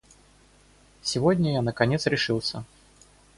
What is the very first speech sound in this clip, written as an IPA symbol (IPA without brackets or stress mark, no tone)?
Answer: sʲ